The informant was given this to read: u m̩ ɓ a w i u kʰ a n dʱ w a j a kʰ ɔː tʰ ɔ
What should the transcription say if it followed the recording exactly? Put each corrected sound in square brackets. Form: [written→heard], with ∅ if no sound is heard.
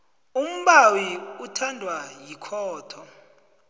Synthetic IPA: u m̩ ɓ a w i u [kʰ→tʰ] a n dʱ w a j [a→i] kʰ ɔː tʰ ɔ